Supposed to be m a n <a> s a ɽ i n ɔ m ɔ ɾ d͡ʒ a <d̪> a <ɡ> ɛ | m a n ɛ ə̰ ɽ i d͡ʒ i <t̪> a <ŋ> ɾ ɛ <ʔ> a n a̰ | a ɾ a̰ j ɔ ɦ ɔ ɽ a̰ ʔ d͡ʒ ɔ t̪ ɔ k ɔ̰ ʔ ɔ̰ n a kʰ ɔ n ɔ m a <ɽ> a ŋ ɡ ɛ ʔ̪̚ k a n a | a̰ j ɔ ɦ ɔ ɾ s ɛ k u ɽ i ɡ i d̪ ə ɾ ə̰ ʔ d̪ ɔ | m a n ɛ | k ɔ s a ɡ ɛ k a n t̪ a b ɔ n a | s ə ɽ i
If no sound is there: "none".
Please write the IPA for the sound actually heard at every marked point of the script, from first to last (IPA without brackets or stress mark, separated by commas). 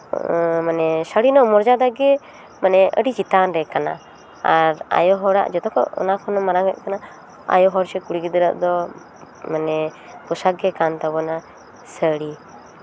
ɛ, d̪, ɡ, t̪, n, k, ɾ